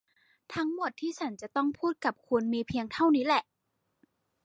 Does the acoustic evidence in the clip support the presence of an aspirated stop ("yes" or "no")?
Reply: yes